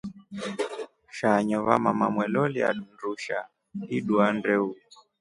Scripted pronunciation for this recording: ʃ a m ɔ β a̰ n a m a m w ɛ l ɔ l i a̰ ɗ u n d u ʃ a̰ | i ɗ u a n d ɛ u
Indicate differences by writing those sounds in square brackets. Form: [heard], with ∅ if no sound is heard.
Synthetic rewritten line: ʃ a [ɲ] ɔ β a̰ [m] a m a m w ɛ l ɔ l i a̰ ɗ u n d u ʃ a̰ | i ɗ u a n d ɛ u